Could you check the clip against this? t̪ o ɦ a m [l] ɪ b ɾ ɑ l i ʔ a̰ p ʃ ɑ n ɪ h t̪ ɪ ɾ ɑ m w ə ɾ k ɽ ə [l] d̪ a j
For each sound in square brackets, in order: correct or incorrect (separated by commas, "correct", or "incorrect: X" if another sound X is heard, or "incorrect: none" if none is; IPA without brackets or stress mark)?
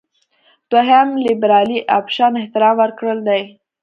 correct, correct